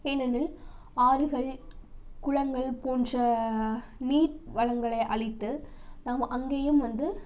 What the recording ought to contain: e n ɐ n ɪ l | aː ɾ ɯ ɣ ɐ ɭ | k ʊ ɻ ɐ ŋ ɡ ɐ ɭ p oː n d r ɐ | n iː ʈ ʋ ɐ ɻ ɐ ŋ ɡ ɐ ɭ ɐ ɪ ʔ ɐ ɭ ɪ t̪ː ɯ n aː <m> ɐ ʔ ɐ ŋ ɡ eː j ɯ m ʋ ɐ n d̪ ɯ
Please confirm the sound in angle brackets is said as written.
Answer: yes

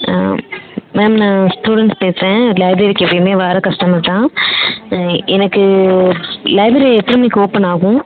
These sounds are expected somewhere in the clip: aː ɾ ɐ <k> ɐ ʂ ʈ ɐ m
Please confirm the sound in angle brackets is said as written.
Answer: yes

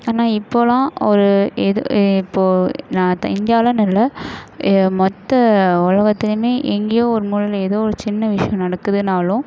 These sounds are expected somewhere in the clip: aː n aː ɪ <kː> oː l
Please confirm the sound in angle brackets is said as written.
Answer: no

